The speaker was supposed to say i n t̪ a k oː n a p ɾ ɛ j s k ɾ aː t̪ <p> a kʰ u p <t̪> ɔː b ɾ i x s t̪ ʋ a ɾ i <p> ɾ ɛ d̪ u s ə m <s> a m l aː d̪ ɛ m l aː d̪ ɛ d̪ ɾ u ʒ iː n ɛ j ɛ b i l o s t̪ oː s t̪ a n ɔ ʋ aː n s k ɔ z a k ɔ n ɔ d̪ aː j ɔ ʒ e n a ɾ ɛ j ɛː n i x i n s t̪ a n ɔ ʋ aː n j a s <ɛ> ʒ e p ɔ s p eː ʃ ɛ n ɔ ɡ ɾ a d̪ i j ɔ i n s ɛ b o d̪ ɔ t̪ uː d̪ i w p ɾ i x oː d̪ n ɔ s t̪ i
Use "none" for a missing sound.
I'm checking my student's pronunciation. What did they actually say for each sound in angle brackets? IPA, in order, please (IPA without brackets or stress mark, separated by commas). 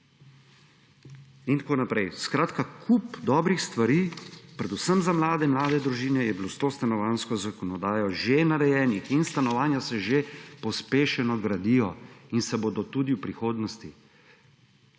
k, d̪, p, z, ɛ